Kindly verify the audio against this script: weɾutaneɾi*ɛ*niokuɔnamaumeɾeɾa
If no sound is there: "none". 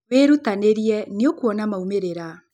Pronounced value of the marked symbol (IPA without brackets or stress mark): ɛ